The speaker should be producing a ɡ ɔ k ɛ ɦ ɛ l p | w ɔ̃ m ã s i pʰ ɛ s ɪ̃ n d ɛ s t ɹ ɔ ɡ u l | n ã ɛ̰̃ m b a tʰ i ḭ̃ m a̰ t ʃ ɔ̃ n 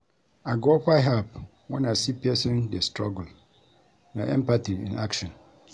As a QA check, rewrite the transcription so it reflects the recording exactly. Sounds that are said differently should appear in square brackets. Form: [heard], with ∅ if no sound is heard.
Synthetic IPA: a ɡ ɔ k [a] ɦ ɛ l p | w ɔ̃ [n] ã s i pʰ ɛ s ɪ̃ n d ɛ s t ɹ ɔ ɡ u l | n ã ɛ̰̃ m [p] a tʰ i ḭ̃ [n] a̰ [k] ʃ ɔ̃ n